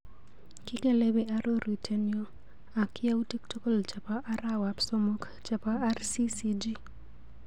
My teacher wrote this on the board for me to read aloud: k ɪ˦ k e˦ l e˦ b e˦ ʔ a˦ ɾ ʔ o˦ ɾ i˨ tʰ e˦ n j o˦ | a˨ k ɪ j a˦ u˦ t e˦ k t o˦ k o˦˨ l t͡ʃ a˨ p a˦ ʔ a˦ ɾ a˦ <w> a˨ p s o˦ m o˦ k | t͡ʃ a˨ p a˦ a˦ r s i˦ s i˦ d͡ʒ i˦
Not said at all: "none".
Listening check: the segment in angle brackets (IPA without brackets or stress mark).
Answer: w